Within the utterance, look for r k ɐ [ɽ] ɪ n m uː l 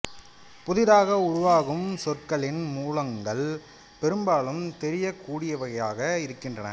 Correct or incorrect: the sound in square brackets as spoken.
incorrect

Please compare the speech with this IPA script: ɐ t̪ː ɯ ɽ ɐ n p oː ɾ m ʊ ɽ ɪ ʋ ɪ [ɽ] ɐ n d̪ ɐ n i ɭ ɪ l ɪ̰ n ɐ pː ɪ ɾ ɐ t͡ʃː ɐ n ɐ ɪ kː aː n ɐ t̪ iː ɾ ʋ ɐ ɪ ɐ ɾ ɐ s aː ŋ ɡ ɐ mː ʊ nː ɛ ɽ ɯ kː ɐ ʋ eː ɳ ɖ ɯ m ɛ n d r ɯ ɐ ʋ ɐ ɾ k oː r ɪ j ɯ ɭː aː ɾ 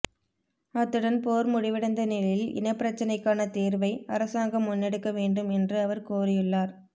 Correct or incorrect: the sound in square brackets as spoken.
correct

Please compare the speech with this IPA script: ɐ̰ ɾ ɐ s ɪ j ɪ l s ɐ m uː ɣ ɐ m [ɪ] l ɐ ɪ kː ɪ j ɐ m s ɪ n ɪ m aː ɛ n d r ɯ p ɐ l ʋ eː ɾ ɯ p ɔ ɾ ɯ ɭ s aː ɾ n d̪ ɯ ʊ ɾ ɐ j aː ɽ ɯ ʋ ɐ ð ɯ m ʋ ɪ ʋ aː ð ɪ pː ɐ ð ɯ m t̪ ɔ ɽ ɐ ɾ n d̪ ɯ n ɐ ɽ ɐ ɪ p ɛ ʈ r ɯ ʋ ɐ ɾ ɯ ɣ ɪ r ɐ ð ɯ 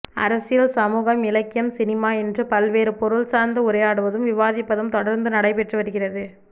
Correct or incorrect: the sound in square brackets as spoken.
correct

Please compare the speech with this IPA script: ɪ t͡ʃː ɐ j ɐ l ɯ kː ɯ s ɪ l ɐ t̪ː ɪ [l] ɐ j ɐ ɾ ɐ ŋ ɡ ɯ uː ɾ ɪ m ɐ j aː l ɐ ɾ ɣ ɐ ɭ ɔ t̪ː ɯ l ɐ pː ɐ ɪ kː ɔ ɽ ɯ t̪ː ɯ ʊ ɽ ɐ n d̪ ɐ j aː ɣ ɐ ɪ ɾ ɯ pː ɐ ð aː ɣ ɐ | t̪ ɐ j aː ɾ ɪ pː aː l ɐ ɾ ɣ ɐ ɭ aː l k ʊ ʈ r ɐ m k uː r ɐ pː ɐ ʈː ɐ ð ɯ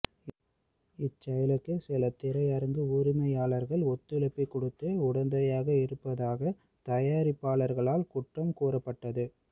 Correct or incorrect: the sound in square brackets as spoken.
incorrect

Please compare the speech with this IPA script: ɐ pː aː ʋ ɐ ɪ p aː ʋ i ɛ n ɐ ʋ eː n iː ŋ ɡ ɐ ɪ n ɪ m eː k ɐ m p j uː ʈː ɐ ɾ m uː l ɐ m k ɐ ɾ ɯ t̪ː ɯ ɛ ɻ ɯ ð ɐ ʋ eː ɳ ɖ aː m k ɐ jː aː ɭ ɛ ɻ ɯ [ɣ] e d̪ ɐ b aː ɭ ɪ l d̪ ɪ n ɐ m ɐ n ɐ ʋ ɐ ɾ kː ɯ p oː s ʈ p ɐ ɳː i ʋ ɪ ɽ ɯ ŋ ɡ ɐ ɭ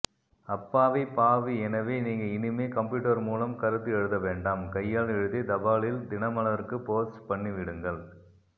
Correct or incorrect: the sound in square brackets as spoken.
incorrect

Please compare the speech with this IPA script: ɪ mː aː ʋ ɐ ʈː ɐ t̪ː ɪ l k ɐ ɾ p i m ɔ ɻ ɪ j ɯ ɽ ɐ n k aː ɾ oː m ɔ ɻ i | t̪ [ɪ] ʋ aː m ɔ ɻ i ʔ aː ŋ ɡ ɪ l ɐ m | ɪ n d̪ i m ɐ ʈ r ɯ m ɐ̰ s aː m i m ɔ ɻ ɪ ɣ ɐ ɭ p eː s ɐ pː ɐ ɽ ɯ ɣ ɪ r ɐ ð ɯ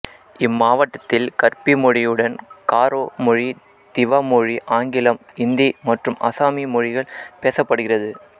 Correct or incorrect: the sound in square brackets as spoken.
correct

